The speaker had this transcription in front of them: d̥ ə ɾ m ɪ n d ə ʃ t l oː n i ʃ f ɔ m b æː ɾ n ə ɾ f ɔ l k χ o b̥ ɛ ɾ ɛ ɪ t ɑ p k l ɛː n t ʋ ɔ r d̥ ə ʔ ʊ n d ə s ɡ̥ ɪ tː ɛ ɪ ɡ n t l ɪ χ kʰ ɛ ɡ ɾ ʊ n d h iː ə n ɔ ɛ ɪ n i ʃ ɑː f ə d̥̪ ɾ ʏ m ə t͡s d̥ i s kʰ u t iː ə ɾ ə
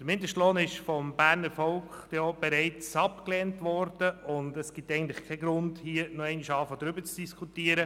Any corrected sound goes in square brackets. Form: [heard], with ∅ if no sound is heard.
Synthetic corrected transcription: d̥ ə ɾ m ɪ n d ə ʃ t l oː n [ɪ] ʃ f ɔ m b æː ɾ n ə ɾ f ɔ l k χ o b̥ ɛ ɾ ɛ ɪ [t͡s] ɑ p k l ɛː n t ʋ ɔ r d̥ ə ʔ ʊ n d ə s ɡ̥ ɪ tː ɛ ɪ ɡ n t l ɪ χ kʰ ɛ ɡ ɾ ʊ n d h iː ə n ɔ ɛ ɪ n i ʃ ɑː f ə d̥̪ ɾ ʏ [b] ə t͡s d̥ i s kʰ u t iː ə ɾ ə